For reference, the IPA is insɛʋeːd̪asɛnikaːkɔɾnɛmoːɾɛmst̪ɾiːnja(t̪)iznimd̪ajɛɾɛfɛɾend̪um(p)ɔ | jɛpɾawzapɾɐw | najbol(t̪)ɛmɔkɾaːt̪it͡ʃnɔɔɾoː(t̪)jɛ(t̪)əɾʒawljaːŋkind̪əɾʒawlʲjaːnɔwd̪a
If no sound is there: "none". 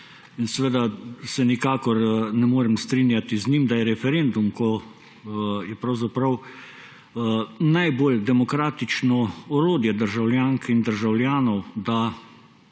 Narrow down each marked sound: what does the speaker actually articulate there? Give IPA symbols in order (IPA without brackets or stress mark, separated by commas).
t̪, k, d̪, d̪, d̪